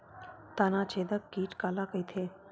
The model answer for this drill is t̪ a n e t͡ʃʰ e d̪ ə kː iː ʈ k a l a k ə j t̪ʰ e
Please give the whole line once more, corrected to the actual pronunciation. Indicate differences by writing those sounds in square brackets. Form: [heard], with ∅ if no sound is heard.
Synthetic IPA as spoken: t̪ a n [a] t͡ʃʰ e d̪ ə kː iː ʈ k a l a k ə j t̪ʰ e

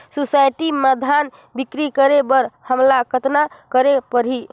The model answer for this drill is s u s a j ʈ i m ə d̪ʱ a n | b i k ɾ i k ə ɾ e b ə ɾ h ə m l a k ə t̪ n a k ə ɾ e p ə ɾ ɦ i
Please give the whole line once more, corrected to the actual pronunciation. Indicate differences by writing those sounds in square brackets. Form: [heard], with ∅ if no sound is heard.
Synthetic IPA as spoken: s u s a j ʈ i m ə d̪ʱ a n | b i k ɾ i k ə ɾ e b ə ɾ h ə m l a k ə t̪ n a k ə ɾ e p ə ɾ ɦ i

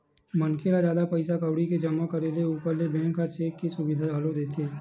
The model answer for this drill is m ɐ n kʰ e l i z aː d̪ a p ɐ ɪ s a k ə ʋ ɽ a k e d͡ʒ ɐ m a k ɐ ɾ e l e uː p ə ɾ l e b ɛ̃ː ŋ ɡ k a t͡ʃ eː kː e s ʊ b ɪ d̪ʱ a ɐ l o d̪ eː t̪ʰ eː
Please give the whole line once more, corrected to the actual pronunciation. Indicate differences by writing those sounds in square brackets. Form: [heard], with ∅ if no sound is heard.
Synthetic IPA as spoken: m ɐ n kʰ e l [a] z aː d̪ a p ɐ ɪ s a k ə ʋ ɽ [i] k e d͡ʒ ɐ m a k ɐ ɾ e l e uː p ə ɾ l e b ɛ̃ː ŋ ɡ k a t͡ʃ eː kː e s ʊ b ɪ d̪ʱ a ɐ l o d̪ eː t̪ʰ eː

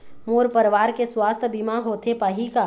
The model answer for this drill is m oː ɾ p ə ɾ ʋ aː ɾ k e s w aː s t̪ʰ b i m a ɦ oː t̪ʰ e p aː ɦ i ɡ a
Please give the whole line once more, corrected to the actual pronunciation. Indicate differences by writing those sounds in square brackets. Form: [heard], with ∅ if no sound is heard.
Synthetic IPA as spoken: m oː ɾ p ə ɾ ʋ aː ɾ k e s w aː s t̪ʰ b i m a ɦ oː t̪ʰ e p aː ɦ i [k] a

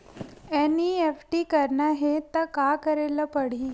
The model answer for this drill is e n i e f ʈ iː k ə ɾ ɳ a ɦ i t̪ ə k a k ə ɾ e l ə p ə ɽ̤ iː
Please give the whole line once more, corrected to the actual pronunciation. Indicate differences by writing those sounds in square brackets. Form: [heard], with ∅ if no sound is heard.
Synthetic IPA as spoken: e n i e f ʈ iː k ə ɾ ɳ a ɦ [e] t̪ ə k a k ə ɾ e l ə p ə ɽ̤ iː

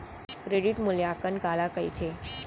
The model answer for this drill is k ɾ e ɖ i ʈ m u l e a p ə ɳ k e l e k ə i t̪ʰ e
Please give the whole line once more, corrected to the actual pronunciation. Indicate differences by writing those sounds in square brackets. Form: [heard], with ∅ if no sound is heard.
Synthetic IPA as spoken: k ɾ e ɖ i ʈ m u l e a [k] ə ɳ k [a] l [a] k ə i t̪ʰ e

